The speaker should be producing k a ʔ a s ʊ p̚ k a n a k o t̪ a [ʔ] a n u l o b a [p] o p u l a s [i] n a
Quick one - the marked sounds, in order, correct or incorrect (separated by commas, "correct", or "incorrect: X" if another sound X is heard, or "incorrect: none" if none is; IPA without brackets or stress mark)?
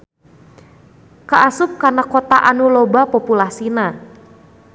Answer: correct, correct, correct